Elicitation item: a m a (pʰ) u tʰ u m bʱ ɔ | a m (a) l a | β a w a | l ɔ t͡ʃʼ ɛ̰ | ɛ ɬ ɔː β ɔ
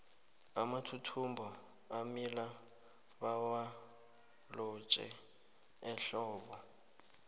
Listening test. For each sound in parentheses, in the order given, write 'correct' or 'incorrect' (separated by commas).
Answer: incorrect, incorrect